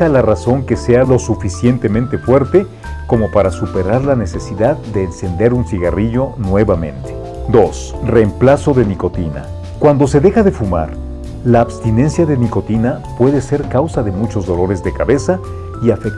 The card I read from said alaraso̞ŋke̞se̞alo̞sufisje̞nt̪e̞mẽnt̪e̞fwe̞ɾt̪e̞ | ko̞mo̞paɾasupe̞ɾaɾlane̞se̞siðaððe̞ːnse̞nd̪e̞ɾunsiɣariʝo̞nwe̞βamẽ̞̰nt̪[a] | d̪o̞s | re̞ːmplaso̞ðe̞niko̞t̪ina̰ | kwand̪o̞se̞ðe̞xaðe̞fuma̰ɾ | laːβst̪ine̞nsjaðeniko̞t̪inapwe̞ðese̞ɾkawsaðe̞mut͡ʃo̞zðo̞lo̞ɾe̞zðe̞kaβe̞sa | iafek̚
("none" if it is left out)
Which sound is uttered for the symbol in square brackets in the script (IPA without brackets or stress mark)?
e